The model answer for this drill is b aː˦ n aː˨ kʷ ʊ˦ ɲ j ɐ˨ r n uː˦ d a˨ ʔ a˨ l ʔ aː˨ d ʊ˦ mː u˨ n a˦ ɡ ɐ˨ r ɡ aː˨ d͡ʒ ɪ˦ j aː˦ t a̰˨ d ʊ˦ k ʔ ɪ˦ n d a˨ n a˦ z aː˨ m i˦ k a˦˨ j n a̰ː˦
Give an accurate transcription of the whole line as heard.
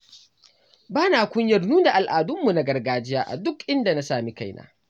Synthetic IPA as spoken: b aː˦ n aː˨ kʷ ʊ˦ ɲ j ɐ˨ r n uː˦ d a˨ ʔ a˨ l ʔ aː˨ d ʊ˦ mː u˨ n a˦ ɡ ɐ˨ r ɡ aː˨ d͡ʒ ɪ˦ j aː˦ ʔ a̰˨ d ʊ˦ k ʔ ɪ˦ n d a˨ n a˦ s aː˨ m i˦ k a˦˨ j n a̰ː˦